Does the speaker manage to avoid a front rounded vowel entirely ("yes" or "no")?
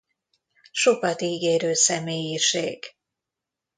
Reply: no